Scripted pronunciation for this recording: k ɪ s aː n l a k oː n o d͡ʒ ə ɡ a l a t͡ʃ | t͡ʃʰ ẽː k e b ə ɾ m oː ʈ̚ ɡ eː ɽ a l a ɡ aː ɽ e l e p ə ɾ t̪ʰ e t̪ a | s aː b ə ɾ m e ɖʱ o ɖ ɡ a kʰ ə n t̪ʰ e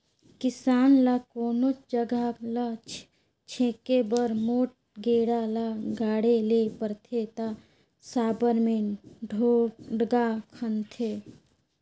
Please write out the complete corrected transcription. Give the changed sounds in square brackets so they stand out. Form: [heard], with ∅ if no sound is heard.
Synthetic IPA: k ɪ s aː n l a k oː n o d͡ʒ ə ɡ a l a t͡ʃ | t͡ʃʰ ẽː k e b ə ɾ m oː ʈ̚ ɡ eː ɽ a l a ɡ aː ɽ e l e p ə ɾ t̪ʰ e t̪ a | s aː b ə ɾ m e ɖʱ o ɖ ɡ a kʰ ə n t̪ʰ e